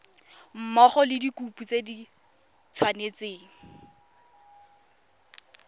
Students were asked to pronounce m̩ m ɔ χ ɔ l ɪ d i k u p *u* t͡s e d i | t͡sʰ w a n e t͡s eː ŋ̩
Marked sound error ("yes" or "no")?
no